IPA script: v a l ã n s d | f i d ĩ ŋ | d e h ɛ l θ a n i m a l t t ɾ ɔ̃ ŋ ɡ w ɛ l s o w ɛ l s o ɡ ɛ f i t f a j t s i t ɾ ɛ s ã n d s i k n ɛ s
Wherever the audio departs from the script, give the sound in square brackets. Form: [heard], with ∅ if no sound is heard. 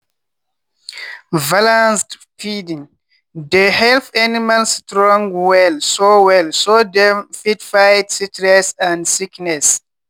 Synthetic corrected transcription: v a l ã n s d | f i d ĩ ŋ | d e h ɛ l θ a n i m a l [s] t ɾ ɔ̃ ŋ ɡ w ɛ l s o w ɛ l s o [d] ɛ f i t f a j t s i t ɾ ɛ s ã n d s i k n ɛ s